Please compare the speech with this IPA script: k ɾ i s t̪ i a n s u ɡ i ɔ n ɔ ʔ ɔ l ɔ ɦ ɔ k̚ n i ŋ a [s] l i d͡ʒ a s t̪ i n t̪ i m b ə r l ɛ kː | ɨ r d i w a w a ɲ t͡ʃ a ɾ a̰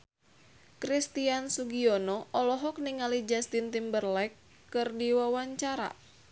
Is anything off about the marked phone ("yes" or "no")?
yes